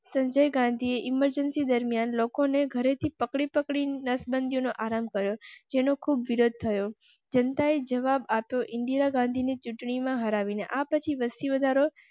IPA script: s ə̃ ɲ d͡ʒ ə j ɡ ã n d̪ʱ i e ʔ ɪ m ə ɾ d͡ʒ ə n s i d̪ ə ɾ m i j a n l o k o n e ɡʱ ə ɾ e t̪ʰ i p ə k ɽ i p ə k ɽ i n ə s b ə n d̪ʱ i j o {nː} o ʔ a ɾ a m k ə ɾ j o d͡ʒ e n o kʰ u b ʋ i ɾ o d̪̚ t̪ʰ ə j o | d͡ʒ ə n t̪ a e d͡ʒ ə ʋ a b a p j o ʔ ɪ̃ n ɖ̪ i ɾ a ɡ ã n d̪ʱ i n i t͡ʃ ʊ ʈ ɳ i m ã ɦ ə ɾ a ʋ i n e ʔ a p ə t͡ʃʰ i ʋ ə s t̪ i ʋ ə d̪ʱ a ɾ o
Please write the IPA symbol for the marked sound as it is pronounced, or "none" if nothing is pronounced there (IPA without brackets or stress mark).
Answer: n